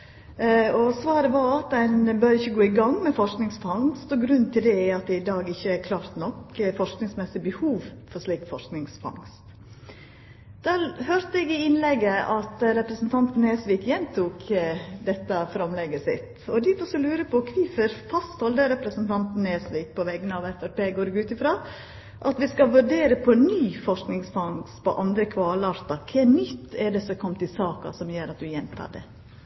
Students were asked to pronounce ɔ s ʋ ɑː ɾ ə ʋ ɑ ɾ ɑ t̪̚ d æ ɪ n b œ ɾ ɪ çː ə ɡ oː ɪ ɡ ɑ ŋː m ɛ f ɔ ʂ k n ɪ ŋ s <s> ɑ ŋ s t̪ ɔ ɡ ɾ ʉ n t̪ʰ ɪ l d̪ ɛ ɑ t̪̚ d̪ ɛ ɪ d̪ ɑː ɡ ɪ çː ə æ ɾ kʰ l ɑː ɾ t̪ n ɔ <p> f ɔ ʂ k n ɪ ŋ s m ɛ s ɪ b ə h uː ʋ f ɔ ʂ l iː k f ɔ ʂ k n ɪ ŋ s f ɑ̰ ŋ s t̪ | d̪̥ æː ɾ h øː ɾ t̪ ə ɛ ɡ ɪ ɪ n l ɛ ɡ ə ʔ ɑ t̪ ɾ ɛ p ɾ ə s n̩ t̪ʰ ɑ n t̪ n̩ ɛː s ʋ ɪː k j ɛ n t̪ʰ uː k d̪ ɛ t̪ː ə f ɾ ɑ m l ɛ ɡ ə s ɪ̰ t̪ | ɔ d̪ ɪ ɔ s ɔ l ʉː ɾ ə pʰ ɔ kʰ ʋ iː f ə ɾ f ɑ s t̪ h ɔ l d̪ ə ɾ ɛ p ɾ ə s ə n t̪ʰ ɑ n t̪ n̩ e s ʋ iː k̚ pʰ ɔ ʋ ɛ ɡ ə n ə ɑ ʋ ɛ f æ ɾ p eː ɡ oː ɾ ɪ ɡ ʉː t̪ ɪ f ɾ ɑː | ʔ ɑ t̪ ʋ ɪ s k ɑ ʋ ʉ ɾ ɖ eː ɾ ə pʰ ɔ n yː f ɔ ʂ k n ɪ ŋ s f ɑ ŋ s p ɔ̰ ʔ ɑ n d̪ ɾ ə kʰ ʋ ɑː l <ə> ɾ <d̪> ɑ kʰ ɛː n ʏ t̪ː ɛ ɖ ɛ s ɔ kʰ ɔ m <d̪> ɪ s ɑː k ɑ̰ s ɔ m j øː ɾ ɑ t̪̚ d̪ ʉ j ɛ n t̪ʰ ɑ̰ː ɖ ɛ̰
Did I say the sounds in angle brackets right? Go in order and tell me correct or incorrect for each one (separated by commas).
incorrect, incorrect, incorrect, incorrect, incorrect